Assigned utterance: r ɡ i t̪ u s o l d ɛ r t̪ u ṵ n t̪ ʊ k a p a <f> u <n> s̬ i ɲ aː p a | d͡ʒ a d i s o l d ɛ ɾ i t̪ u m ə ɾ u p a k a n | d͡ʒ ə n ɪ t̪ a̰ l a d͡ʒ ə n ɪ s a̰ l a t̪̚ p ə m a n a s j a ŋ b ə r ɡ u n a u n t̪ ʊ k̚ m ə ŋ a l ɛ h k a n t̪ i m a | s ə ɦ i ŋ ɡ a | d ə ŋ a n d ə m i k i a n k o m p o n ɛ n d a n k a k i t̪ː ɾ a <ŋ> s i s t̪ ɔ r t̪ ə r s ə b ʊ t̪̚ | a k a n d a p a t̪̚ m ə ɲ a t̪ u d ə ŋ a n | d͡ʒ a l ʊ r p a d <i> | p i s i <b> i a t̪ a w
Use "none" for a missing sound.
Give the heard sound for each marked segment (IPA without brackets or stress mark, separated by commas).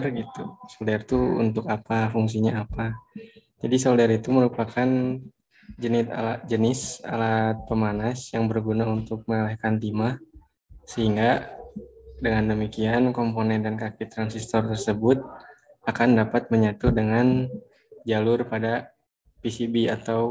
f, ŋ, n, a, b